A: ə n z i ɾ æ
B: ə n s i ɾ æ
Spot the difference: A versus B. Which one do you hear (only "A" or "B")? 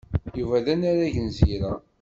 A